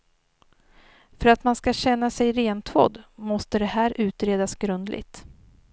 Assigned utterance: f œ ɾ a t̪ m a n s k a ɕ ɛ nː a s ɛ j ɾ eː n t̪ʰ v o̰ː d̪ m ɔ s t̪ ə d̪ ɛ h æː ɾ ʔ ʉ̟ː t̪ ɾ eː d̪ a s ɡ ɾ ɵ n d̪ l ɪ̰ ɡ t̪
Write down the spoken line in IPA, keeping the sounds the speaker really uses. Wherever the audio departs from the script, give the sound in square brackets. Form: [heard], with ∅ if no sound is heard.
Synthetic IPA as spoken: f œ ɾ a t̪ m a n s k a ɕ ɛ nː a s ɛ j ɾ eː n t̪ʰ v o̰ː d̪ m ɔ s t̪ ə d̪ ɛ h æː ɾ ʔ ʉ̟ː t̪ ɾ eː d̪ a s ɡ ɾ ɵ n d̪ l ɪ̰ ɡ t̪